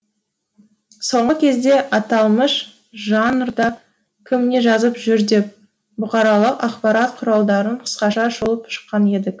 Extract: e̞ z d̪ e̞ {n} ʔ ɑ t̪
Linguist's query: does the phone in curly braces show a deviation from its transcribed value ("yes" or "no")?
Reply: yes